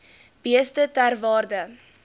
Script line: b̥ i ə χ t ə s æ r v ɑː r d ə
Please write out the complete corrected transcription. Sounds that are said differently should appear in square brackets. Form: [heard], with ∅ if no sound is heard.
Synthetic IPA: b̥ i ə [s] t ə [t] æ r v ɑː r d ə